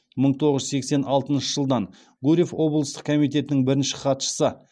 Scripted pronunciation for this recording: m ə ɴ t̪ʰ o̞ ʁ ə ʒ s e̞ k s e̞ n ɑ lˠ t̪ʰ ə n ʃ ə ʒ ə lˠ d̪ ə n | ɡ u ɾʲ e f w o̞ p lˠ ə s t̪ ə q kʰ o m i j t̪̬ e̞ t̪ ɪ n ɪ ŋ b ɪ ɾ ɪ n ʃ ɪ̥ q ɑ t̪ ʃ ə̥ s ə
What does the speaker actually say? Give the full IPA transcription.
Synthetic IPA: m ə ɴ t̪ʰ o̞ ʁ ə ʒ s e̞ k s e̞ n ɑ lˠ t̪ ə n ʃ ə ʒ ə lˠ d̪ ɑ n | ɡ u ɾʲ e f w o̞ b lˠ ə s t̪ ə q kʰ o m i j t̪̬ e̞ t̪ ɪ n ɪ ŋ b ɪ ɾ ɪ n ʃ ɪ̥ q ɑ t̪ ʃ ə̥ s ə